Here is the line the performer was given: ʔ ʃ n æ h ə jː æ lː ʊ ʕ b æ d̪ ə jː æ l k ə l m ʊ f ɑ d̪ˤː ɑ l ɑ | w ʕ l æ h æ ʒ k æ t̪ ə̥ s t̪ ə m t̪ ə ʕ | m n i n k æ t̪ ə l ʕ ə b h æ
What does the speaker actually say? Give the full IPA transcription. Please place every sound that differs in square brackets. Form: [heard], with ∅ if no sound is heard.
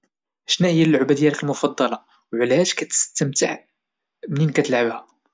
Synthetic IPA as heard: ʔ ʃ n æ h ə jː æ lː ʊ ʕ b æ d̪ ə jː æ l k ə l m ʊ f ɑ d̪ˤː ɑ l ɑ | w ʕ l æ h æ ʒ k æ t̪ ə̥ s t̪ ə m t̪ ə ʕ | m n i n k æ t̪ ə l ʕ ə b h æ